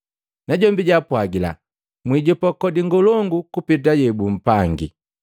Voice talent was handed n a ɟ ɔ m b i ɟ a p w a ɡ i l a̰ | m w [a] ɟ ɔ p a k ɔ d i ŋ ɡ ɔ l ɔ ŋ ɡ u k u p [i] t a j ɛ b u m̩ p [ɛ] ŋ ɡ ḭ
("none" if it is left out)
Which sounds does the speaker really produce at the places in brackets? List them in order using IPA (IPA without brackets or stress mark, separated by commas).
i, i, a